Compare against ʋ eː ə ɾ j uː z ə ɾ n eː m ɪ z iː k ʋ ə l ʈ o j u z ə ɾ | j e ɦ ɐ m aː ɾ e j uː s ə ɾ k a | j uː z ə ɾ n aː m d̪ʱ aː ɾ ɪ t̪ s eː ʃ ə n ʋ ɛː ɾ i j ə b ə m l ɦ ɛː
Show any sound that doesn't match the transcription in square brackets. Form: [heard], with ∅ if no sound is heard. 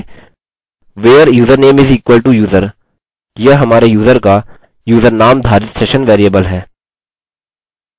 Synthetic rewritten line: ʋ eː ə ɾ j uː z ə ɾ n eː m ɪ z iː k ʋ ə l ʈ [u] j [uː] z ə ɾ | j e ɦ ɐ m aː ɾ e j uː [z] ə ɾ k a | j uː z ə ɾ n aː m d̪ʱ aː ɾ ɪ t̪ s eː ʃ ə n ʋ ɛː ɾ i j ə b ə [∅] l ɦ ɛː

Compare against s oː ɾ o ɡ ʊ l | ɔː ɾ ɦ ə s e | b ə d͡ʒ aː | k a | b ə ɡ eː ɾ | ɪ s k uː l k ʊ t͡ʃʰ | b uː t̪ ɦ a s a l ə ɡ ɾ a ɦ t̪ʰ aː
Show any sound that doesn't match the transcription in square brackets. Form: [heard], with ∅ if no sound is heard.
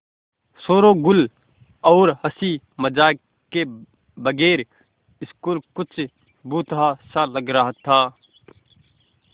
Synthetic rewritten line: s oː ɾ o ɡ ʊ l | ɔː ɾ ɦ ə s [i] | [m] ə d͡ʒ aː | k [e] | b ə ɡ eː ɾ | ɪ s k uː l k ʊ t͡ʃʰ | b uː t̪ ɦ a s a l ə ɡ ɾ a ɦ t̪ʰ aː

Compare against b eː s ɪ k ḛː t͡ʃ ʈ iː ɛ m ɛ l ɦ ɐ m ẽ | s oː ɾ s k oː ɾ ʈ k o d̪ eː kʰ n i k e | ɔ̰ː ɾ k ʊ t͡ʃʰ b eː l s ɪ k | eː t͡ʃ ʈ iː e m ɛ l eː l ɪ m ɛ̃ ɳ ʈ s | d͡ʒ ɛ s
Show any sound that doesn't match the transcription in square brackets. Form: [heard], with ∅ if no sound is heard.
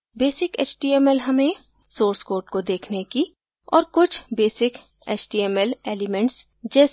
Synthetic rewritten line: b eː s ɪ k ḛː t͡ʃ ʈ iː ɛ m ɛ l ɦ ɐ m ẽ | s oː ɾ s k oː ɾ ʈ k o d̪ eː kʰ n [e] k [i] | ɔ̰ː ɾ k ʊ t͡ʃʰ b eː [∅] s ɪ k | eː t͡ʃ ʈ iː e m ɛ l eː l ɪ m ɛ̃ ɳ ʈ s | d͡ʒ [ɛː] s

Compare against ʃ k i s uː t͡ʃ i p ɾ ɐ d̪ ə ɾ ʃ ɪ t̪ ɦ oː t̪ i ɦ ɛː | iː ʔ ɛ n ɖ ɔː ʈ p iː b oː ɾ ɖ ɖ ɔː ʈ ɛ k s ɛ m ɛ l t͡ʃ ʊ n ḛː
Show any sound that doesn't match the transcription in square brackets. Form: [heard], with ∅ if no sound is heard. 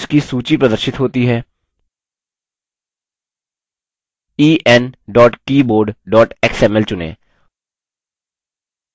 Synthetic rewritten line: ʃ k i s uː t͡ʃ i p ɾ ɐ d̪ ə ɾ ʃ ɪ t̪ ɦ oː t̪ i ɦ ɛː | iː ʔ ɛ n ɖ ɔː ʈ [k] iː b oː ɾ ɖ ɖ ɔː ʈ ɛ k s ɛ m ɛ l t͡ʃ ʊ n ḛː

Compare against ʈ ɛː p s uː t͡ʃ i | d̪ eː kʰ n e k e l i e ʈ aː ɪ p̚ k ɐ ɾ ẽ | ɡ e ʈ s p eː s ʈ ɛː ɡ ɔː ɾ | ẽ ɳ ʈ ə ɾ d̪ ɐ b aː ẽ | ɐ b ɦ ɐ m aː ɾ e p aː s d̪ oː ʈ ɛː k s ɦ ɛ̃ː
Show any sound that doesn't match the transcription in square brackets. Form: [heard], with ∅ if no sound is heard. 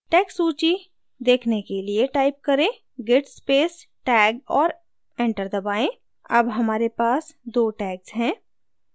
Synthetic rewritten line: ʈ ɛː [k] s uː t͡ʃ i | d̪ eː kʰ n e k e l i e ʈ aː ɪ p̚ k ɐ ɾ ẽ | ɡ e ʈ s p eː s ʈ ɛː ɡ ɔː ɾ | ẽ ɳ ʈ ə ɾ d̪ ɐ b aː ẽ | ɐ b ɦ ɐ m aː ɾ e p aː s d̪ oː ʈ ɛː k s ɦ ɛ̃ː

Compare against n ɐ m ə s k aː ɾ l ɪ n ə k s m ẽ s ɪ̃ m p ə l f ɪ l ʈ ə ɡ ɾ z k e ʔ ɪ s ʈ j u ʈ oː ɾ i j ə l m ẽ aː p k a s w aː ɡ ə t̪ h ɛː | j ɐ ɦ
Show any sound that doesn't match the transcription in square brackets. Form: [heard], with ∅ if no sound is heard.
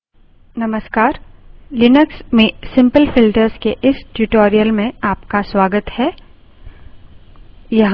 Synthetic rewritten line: n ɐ m ə s k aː ɾ l ɪ n ə k s m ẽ s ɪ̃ m p ə l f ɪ l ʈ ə [∅] ɾ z k e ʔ ɪ s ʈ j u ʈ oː ɾ i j ə l m ẽ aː p k a s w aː ɡ ə t̪ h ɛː | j ɐ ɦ

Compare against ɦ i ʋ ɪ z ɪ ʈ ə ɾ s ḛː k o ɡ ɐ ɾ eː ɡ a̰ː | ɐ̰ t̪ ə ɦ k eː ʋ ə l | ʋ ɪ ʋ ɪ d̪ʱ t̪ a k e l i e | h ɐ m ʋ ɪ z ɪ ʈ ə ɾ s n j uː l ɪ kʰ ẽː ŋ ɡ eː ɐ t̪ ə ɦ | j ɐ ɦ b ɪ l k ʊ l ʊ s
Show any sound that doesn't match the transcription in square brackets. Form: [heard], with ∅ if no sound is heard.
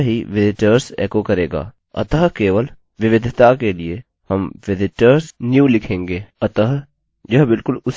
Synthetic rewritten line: ɦ i ʋ ɪ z ɪ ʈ ə ɾ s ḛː k o [k] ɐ ɾ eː ɡ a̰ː | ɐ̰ t̪ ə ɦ k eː ʋ ə l | ʋ ɪ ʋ ɪ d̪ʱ t̪ a k e l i e | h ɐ m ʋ ɪ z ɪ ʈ ə ɾ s n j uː l ɪ kʰ ẽː ŋ ɡ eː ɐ t̪ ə ɦ | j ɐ ɦ b ɪ l k ʊ l ʊ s

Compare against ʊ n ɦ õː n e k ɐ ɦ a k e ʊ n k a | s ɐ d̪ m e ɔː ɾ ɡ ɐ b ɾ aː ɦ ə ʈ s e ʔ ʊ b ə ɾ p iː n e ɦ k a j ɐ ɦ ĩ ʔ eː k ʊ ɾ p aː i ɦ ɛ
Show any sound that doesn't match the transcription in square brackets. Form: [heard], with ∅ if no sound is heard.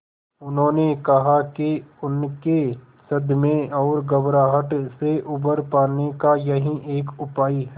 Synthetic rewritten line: ʊ n ɦ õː n e k ɐ ɦ a k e ʊ n k [e] | s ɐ d̪ m [ẽ] ɔː ɾ ɡ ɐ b ɾ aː ɦ ə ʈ s e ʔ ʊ b ə ɾ p [aː] n e [∅] k a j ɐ ɦ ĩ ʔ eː k ʊ [∅] p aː i ɦ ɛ

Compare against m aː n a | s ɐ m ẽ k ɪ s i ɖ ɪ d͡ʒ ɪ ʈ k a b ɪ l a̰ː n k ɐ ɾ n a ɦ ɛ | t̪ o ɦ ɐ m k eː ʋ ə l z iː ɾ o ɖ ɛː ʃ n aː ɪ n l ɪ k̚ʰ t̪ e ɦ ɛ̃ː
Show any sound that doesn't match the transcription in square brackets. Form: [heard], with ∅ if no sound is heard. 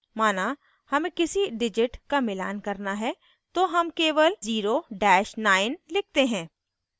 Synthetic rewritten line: m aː n a | [h] ɐ m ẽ k ɪ s i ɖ ɪ d͡ʒ ɪ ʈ k a [m] ɪ l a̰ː n k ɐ ɾ n a ɦ ɛ | t̪ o ɦ ɐ m k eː ʋ ə l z iː ɾ o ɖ ɛː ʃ n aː ɪ n l ɪ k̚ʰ t̪ e ɦ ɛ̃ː

